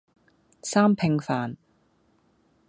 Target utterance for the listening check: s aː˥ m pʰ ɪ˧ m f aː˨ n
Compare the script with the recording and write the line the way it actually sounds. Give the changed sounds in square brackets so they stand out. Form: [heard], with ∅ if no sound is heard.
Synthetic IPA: s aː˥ m pʰ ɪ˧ [ŋ] f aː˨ n